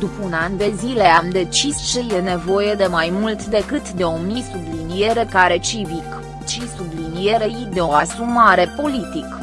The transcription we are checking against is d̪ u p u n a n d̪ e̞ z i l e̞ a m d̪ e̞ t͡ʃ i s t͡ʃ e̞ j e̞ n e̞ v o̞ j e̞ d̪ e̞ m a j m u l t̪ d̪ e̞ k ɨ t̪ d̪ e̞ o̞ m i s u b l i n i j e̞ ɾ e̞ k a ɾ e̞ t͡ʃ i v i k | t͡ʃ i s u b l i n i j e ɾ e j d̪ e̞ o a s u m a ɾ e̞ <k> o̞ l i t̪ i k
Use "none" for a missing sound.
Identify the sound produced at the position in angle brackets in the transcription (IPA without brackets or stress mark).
p